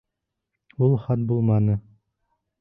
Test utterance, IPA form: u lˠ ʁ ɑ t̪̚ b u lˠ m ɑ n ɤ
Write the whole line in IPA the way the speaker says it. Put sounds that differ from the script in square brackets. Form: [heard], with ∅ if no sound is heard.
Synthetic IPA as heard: u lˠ [χ] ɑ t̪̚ b u lˠ m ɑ n ɤ